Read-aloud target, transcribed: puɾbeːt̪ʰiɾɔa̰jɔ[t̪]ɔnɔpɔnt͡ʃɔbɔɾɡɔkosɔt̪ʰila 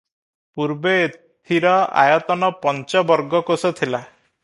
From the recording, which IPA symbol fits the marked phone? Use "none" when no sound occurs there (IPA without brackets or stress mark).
t̪